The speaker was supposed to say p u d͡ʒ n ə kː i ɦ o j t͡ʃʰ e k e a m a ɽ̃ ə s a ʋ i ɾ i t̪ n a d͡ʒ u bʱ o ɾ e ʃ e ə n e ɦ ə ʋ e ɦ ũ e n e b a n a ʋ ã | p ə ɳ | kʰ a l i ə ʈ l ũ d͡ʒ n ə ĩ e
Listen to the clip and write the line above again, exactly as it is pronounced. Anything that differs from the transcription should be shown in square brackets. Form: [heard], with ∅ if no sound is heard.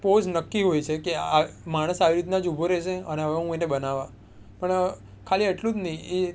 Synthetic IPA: p [o] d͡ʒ n ə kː i ɦ o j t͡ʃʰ e k e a m a ɽ̃ ə s a ʋ i ɾ i t̪ n a d͡ʒ u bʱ o ɾ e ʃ e ə n e ɦ ə ʋ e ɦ ũ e n e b [ə] n a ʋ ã | p ə ɳ | kʰ a l i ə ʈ l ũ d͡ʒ n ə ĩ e